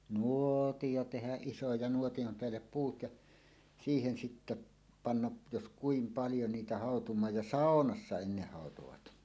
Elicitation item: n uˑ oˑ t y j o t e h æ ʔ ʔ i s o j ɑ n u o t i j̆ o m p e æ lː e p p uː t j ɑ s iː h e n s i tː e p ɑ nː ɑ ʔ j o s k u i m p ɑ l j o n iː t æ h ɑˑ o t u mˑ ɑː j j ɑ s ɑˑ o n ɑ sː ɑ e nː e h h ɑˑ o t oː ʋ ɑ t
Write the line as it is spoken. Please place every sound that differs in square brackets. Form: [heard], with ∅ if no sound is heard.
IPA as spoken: n uˑ oˑ t [i] j o t e h æ ʔ ʔ i s o j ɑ n u o t i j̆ o m p e æ lː e p p uː t j ɑ s iː h e n s i tː e p ɑ nː ɑ ʔ j o s k u i m p ɑ l j o n iː t æ h ɑˑ o t u mˑ ɑː j j ɑ s ɑˑ o n ɑ sː ɑ e nː e h h ɑˑ o t [o] ʋ ɑ t